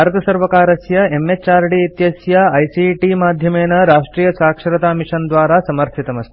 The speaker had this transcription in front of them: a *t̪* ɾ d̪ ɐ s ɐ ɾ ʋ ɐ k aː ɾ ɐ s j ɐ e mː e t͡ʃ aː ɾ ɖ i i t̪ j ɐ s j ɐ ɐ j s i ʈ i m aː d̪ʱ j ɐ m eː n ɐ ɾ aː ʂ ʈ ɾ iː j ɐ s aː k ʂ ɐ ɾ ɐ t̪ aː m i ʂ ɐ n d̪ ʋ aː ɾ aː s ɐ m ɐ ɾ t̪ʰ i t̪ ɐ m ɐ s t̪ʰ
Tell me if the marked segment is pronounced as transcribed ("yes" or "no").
no